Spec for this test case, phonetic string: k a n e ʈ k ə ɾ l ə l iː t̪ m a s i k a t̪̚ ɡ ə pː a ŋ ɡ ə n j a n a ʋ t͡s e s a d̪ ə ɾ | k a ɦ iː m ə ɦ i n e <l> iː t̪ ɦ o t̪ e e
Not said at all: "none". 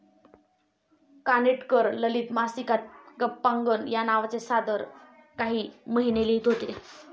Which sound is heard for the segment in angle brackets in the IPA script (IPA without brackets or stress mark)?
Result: l